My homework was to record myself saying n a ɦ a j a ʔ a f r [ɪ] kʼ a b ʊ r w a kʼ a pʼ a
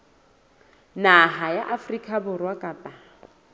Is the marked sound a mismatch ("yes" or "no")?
yes